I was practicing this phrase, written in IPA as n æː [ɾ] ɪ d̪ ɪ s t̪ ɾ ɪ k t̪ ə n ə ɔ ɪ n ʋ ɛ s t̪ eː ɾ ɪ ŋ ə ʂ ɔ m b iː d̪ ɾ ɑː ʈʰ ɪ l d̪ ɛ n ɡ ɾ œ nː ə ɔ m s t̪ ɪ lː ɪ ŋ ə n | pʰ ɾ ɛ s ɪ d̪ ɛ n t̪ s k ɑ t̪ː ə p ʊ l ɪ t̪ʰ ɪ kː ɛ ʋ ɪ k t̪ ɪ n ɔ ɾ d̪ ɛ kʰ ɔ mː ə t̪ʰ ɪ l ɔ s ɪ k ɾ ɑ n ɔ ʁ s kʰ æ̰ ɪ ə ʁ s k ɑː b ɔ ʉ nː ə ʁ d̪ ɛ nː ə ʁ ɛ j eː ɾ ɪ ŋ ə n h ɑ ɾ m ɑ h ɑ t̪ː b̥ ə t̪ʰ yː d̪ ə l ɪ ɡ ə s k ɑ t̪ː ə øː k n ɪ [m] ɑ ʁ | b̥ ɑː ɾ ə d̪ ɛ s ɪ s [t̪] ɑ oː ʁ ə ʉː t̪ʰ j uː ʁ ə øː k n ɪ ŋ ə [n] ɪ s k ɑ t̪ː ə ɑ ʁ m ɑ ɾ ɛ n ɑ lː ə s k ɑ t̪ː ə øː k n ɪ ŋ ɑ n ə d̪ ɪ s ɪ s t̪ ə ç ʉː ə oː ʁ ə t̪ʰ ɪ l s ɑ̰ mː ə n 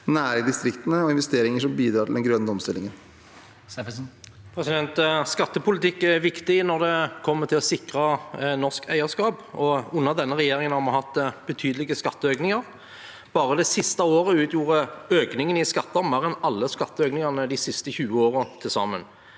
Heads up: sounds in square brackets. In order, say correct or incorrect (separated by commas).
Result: correct, incorrect, correct, correct